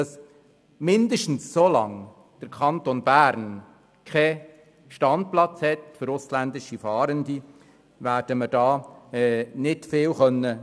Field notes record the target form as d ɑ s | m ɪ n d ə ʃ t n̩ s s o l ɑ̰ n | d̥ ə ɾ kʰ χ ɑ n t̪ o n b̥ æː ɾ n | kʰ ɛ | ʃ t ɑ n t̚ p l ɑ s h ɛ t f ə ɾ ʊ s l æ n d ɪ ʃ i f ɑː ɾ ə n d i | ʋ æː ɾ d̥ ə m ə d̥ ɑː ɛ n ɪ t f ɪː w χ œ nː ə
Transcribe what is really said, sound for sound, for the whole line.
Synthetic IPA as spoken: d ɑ s | m ɪ n d ə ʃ t n̩ s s o l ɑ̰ ŋ | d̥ ə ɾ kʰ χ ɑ n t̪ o n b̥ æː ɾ n | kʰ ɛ | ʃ t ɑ n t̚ p l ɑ t͡s h ɛ t f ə ɾ ʊ s l æ n d ɪ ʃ i f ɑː ɾ ə n d i | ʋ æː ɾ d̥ ə m ə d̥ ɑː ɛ n ɪ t f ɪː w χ œ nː ə

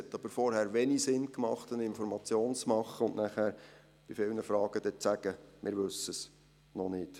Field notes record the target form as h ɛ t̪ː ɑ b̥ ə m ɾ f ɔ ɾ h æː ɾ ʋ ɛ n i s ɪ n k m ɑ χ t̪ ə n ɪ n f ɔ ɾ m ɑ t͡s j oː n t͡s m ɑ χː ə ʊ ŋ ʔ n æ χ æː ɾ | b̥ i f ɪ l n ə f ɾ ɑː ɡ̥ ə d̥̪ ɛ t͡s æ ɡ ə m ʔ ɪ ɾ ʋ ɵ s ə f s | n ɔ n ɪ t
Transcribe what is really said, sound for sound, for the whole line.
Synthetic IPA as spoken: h ɛ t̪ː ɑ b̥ ə ɾ f ɔ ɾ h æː ɾ ʋ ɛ n i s ɪ n k m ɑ χ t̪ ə n ɪ n f ɔ ɾ m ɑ t͡s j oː n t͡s m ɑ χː ə ʊ n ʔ n æ χ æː ɾ | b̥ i f ɪ l n ə f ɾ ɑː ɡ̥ ə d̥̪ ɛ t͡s æ ɡ ə m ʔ ɪ ɾ ʋ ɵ s ə s | n ɔ n ɪ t

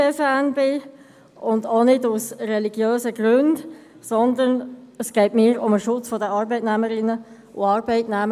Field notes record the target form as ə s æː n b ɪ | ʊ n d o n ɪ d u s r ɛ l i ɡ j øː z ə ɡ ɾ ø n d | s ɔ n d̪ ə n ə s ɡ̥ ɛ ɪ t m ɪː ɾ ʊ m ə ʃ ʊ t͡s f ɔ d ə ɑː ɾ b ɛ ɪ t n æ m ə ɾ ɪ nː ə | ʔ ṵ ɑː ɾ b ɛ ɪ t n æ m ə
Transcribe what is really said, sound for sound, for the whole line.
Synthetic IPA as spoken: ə f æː n b ɪ | ʊ n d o n ɪ d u s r ɛ l i ɡ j øː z ə ɡ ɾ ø n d | s ɔ n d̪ ə n ə s ɡ̥ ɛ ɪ t m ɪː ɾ ʊ m ə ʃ ʊ t͡s f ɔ d ə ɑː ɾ b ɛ ɪ t n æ m ə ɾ ɪ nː ə | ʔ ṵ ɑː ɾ b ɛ ɪ t n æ m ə

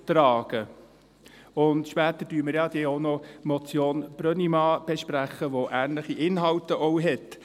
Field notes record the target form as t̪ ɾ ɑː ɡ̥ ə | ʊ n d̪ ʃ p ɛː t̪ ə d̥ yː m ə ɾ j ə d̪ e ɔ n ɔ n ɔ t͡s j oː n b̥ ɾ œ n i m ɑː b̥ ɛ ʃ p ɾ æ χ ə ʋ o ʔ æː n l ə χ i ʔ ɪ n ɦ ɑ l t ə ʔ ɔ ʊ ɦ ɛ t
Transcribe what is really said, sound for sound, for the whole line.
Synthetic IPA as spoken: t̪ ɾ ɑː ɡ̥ ə | ʊ n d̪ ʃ p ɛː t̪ ə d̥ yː m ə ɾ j ɑ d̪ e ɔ n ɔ m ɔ t͡s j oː n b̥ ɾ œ n i m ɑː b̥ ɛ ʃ p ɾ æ χ ə ʋ o ʔ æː n l ə χ i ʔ ɪ n ɦ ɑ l t ə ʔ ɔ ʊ ɦ ɛ t

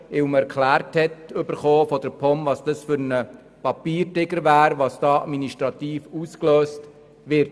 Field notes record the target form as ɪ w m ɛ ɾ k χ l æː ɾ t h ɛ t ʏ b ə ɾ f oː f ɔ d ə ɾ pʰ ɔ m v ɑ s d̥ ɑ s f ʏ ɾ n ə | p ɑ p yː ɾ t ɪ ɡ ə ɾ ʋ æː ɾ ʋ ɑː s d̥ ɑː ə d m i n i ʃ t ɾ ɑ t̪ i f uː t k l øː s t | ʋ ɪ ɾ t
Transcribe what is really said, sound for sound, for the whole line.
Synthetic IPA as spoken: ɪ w m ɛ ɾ k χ l æː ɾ t h ɛ t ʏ b ə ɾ χ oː f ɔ d ə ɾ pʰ ɔ m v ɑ s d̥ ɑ s f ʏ ɾ n ə | p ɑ p iː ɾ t ɪ ɡ ə ɾ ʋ æː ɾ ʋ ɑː s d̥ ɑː ɑ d m i n i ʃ t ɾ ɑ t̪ iː f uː s k l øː s t | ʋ ɪ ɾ t

